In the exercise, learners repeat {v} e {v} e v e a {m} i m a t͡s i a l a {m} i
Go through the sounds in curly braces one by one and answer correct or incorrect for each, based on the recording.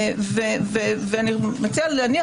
correct, correct, incorrect: n, incorrect: n

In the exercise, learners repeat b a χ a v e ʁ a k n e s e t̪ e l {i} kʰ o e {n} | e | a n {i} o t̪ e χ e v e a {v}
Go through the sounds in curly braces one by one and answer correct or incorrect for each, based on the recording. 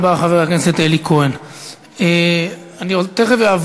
correct, correct, correct, correct

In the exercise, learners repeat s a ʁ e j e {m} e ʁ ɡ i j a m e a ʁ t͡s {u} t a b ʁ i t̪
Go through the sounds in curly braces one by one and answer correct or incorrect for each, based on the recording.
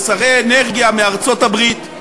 incorrect: n, incorrect: o

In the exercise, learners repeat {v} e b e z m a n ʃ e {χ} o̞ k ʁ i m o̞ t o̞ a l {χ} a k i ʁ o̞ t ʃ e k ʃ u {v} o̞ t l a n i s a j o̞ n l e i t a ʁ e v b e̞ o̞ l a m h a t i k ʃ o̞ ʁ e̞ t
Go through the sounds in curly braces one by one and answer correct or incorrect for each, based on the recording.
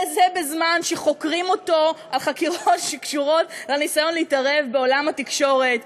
incorrect: z, correct, correct, incorrect: ʁ

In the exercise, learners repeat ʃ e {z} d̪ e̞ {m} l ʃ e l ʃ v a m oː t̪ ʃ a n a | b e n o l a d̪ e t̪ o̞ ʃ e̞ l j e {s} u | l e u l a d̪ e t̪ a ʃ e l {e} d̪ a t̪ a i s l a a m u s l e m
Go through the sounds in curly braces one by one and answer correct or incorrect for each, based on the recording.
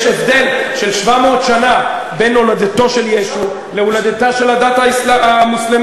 incorrect: v, incorrect: none, incorrect: ʃ, incorrect: a

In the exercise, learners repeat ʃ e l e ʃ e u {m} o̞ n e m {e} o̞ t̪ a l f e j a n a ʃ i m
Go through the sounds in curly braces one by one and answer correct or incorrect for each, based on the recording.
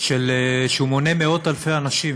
correct, correct

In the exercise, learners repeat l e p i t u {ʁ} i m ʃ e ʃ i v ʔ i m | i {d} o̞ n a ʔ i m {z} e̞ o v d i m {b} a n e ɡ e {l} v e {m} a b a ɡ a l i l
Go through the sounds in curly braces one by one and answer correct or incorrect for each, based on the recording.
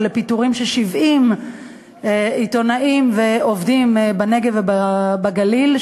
correct, incorrect: t, incorrect: v, correct, incorrect: none, incorrect: b

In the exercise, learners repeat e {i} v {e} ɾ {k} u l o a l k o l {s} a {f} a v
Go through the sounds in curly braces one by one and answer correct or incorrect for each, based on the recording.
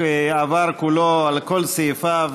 incorrect: a, incorrect: a, correct, correct, correct

